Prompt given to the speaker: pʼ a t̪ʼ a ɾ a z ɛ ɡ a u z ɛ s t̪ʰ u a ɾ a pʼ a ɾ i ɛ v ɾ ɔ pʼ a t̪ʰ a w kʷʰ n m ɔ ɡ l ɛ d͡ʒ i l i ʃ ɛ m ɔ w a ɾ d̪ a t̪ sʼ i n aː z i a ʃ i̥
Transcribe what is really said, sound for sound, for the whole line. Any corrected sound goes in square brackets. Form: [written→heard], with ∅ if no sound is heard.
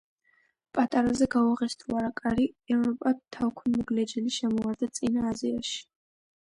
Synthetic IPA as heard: pʼ a t̪ʼ a ɾ a z ɛ ɡ a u [z→ʁ] ɛ s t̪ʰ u a ɾ a [pʼ→kʼ] a ɾ i ɛ v ɾ ɔ pʼ a t̪ʰ a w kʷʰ n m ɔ ɡ l ɛ d͡ʒ [i→ɛ] l i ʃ ɛ m ɔ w a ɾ d̪ a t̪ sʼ i n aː z i a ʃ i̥